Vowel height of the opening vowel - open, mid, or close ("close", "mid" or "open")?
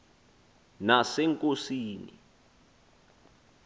open